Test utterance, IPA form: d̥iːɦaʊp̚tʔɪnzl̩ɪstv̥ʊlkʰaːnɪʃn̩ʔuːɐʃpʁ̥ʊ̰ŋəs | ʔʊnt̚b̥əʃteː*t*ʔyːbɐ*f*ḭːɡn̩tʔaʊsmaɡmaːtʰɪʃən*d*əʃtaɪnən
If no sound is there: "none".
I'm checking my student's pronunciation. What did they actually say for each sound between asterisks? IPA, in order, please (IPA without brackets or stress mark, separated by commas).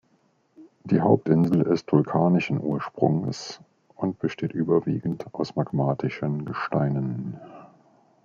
t, v, ɡ